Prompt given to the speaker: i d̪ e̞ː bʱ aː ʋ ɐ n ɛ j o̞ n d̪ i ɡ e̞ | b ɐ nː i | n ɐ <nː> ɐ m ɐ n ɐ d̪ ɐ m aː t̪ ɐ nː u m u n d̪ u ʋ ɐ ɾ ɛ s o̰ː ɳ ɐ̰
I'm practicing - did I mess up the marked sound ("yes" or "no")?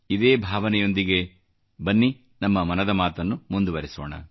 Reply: yes